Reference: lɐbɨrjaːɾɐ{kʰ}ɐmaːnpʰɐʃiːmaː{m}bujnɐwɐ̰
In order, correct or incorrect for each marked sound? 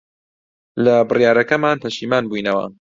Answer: incorrect, incorrect

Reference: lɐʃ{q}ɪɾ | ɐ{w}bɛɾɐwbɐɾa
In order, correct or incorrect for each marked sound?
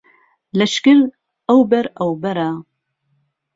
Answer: incorrect, correct

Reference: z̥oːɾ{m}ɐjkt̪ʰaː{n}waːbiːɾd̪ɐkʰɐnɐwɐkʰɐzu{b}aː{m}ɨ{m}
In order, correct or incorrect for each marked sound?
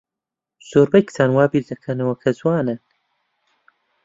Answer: incorrect, correct, incorrect, incorrect, incorrect

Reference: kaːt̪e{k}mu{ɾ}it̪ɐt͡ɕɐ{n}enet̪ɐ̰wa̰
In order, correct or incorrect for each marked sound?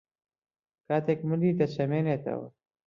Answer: correct, incorrect, incorrect

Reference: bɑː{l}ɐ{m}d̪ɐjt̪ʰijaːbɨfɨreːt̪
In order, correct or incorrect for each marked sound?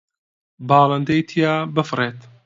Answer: correct, incorrect

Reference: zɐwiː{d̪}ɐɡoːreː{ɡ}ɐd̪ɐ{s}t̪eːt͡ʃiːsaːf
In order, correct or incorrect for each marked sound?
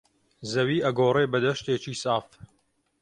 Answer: incorrect, incorrect, incorrect

